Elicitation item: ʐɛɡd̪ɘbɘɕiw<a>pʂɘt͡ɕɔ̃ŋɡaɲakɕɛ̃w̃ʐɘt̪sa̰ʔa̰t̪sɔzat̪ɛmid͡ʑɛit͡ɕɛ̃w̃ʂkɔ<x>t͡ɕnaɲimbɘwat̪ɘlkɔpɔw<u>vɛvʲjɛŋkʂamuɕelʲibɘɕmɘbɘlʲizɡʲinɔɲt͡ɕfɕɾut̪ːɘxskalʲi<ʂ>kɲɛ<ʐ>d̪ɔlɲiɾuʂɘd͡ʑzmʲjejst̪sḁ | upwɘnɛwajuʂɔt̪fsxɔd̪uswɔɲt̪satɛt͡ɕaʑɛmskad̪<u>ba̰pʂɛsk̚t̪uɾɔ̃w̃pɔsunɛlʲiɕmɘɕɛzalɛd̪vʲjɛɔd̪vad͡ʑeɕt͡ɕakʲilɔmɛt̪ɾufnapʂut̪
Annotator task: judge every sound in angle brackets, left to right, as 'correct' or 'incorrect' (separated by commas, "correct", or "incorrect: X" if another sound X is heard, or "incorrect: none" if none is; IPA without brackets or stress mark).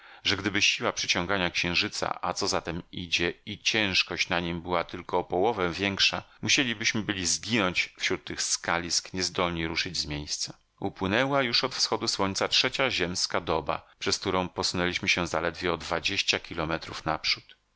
correct, incorrect: ɕ, incorrect: ɔ, incorrect: s, incorrect: z, incorrect: ɔ